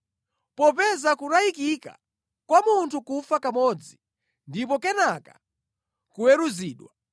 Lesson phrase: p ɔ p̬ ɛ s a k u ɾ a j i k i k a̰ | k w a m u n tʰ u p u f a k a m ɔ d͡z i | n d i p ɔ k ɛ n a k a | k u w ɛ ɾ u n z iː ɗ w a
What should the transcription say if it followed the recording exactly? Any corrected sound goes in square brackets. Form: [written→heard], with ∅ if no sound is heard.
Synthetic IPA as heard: p ɔ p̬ ɛ [s→z] a k u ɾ a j i k i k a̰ | k w a m u n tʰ u [p→k] u f a k a m ɔ d͡z i | n d i p ɔ k ɛ n a k a | k u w ɛ ɾ u [n→∅] z iː ɗ w a